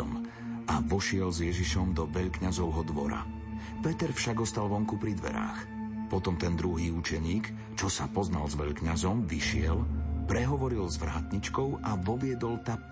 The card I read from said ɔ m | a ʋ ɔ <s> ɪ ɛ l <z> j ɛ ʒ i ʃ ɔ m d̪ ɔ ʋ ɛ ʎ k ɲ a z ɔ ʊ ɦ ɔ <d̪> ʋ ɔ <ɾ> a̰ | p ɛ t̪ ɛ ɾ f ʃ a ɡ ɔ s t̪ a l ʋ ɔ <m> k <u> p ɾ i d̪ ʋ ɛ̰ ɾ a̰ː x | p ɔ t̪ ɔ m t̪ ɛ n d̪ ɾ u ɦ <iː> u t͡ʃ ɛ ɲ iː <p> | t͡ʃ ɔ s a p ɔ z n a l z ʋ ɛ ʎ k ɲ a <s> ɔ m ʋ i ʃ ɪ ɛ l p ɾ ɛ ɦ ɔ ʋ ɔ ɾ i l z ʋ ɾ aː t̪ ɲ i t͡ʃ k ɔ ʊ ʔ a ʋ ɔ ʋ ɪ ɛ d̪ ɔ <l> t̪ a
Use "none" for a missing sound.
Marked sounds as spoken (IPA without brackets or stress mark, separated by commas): ʃ, z, d̪, ɾ, ŋ, u, iː, k, z, l